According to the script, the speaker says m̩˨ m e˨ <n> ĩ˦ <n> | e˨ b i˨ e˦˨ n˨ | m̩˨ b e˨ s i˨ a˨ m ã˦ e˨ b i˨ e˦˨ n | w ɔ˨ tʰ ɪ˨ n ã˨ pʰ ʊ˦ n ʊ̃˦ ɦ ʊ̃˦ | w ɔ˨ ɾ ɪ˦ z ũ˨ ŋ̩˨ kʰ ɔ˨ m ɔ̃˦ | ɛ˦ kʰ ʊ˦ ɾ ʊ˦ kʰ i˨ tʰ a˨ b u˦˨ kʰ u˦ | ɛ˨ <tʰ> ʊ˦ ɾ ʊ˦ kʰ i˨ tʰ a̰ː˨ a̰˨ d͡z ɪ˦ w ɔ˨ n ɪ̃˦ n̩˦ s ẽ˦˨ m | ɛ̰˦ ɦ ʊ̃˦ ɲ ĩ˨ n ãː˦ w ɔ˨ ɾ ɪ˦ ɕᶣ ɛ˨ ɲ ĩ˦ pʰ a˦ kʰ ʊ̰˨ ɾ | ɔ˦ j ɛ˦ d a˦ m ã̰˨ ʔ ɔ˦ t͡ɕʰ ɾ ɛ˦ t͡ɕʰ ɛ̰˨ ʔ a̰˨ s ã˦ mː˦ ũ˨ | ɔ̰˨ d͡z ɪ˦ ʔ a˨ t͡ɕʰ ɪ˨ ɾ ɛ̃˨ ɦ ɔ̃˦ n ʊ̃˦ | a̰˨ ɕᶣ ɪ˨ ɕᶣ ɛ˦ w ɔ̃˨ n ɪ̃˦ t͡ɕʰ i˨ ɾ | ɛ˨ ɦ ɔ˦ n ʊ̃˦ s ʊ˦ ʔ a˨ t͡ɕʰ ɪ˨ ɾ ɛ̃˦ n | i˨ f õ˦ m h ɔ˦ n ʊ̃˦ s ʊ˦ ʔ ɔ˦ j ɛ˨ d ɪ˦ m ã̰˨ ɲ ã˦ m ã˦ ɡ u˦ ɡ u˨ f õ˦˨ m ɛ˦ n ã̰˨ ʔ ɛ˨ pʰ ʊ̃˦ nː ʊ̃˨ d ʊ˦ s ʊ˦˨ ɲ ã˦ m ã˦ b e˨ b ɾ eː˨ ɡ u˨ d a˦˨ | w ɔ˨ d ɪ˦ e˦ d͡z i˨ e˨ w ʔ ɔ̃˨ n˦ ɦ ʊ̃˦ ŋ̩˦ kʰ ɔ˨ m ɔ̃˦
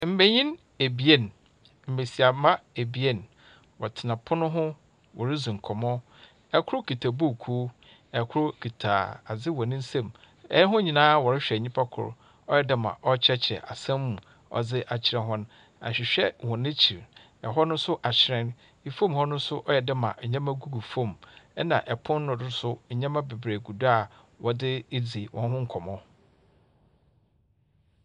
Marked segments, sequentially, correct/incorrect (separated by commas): incorrect, correct, incorrect